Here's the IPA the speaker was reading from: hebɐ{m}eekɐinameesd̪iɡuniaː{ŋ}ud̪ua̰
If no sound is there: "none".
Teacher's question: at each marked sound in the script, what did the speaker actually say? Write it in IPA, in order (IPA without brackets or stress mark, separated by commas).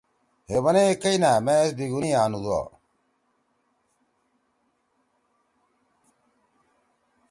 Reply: n, n